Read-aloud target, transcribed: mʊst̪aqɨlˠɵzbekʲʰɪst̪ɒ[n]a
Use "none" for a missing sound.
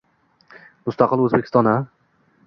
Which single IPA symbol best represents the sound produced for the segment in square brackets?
n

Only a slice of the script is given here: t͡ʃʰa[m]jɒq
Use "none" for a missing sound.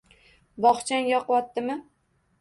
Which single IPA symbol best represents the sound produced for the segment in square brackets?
n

